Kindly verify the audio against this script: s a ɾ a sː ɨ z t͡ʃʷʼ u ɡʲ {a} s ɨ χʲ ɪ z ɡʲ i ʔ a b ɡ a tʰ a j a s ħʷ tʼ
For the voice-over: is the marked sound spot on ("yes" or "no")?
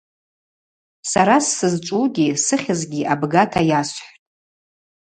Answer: no